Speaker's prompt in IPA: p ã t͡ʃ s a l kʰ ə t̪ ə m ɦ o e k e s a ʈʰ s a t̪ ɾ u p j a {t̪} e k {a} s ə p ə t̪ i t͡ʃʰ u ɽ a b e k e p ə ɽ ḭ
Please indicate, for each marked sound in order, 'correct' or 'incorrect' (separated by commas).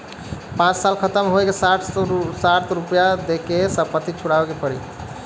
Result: incorrect, incorrect